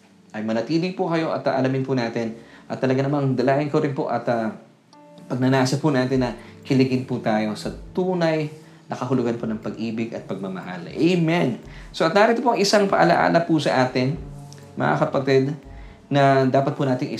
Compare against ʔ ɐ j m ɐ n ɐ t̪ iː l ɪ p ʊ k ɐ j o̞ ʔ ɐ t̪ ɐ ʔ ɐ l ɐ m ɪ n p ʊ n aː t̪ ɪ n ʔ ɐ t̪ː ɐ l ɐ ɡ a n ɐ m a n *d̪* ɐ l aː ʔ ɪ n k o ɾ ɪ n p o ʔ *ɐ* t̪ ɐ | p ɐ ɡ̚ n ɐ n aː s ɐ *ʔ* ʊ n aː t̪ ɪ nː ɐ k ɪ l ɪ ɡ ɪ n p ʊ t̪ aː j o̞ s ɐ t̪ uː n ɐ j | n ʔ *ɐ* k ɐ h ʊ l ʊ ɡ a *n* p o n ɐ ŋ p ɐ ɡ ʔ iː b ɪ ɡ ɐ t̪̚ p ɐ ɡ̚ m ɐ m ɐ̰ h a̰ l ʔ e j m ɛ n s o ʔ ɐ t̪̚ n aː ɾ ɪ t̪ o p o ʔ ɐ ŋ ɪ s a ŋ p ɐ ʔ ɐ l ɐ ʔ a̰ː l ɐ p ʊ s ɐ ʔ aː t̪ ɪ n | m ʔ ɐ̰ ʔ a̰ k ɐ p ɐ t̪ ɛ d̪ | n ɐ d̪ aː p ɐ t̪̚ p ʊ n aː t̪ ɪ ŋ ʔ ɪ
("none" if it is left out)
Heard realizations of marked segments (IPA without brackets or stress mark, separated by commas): d̪, ɐ, p, ɐ, n